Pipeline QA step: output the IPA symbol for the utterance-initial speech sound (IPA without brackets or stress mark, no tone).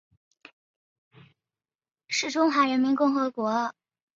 ʂ